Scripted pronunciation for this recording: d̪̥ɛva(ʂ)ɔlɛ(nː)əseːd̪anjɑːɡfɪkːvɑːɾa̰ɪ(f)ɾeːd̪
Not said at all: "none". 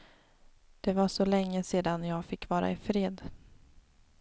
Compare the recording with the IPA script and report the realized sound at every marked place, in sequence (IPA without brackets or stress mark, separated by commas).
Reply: ʂ, ŋː, f